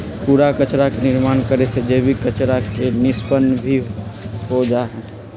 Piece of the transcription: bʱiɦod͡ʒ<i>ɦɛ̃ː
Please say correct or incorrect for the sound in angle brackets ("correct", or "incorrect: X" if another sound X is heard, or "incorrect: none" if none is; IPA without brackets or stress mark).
incorrect: a